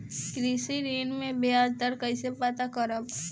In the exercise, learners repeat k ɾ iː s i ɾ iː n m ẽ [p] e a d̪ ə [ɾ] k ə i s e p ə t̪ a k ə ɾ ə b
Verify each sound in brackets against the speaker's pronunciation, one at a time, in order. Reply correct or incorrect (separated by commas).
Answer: incorrect, correct